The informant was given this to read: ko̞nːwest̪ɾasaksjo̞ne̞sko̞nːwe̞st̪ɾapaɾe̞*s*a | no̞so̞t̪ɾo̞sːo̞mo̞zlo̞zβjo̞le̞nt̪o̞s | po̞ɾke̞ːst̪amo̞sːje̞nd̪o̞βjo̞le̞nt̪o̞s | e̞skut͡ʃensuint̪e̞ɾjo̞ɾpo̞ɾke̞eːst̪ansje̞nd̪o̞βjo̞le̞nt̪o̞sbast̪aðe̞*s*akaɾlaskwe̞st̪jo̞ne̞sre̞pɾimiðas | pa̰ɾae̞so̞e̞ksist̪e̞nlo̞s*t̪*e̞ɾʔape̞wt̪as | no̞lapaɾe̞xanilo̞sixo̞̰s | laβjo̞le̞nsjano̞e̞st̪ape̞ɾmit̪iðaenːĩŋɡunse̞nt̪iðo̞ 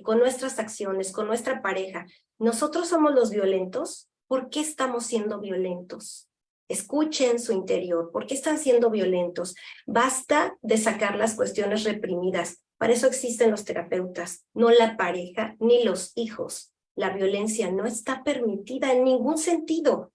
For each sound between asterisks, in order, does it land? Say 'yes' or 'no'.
no, yes, yes

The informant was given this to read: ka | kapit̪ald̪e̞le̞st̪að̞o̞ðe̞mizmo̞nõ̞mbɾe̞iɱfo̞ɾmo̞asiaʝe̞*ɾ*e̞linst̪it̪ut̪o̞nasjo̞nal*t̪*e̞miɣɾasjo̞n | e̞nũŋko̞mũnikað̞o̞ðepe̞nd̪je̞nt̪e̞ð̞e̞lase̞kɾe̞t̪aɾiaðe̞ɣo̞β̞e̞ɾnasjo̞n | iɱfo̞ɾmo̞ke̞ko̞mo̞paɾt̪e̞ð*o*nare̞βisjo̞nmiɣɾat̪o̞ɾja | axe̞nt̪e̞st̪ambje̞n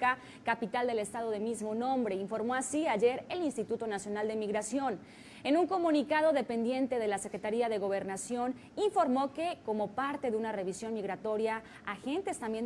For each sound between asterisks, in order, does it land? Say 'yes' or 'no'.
yes, no, no

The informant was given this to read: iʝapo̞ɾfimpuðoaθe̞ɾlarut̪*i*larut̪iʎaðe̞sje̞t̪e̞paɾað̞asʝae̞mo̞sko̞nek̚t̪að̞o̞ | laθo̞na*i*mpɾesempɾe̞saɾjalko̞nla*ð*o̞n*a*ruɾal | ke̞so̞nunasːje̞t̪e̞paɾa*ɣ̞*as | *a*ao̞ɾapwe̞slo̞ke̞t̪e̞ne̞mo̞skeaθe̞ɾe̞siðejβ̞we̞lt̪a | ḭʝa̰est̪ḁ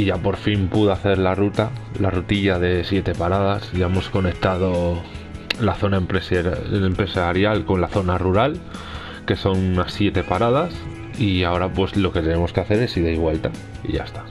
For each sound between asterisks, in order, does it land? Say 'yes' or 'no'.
no, no, no, yes, no, no

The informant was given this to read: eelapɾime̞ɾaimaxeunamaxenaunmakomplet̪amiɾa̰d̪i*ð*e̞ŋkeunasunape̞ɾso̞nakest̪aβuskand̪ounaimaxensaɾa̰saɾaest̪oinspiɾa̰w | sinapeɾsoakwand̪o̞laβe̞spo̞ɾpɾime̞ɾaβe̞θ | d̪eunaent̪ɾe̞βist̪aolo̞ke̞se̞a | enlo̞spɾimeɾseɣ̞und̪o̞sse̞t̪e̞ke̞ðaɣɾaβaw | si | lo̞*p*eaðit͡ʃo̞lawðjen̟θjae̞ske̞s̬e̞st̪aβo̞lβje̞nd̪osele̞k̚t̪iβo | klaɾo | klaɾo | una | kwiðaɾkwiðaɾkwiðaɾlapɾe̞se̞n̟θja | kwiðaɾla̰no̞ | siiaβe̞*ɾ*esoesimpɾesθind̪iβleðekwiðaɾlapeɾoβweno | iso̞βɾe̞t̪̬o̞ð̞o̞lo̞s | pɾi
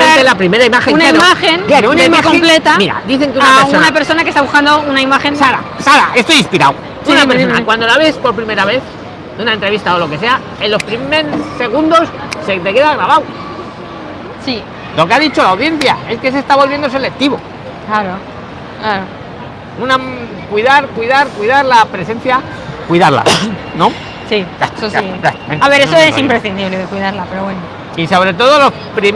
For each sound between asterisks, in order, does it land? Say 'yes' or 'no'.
no, no, yes

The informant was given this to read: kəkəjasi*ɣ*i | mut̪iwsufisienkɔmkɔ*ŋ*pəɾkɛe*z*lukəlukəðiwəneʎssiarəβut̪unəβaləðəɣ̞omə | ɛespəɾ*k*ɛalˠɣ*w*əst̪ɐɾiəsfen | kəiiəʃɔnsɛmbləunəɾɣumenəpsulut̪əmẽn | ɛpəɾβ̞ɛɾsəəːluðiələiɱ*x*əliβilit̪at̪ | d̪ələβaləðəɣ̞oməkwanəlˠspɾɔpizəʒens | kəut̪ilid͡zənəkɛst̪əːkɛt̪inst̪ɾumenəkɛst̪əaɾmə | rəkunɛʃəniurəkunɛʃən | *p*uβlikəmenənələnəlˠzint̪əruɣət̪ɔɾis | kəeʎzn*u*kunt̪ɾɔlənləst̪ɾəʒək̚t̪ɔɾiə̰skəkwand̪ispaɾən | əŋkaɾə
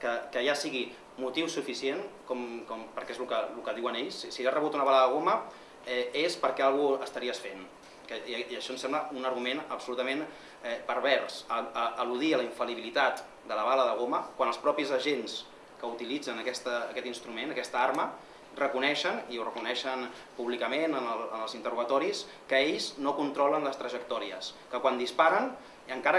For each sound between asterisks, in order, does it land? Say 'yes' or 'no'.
yes, no, yes, yes, no, no, yes, no

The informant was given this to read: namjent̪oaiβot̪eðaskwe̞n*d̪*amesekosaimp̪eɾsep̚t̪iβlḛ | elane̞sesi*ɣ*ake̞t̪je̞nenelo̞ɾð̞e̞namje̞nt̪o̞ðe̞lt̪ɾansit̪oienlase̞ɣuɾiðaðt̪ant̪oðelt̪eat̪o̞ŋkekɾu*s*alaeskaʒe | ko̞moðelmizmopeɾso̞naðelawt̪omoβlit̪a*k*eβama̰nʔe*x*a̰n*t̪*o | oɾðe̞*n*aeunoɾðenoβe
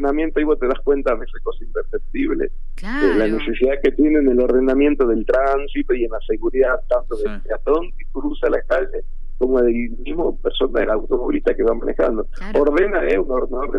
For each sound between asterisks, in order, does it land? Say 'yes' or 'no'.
no, no, yes, yes, yes, no, yes

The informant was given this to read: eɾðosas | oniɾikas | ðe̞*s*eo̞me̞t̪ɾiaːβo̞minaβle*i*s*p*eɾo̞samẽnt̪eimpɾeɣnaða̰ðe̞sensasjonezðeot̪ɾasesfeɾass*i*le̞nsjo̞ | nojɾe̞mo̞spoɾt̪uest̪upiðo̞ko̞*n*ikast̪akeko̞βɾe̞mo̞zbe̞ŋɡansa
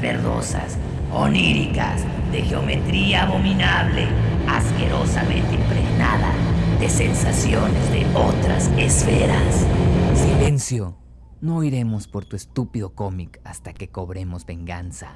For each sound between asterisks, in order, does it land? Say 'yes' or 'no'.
no, no, no, yes, no

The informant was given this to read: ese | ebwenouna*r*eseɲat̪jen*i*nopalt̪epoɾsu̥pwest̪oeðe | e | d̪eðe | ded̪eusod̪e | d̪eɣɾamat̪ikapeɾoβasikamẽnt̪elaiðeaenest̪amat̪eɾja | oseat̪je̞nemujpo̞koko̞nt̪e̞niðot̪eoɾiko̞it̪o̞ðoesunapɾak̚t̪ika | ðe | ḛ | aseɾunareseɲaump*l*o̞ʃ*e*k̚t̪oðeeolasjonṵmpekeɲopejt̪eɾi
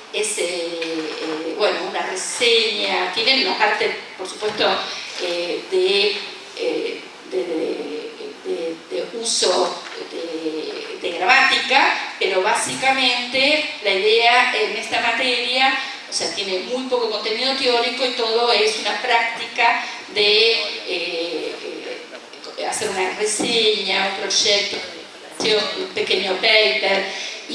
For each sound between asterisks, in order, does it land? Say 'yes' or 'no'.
yes, no, no, yes

